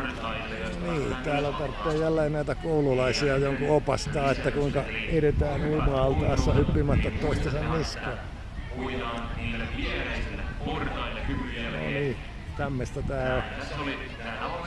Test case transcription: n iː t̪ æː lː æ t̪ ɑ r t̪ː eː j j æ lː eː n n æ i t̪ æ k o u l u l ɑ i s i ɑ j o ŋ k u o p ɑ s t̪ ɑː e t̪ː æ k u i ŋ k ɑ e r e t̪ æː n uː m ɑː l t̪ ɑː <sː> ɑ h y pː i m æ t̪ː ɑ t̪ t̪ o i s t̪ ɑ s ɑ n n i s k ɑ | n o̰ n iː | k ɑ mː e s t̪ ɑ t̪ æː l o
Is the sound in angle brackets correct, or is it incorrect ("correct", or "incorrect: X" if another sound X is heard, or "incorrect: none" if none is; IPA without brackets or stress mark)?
correct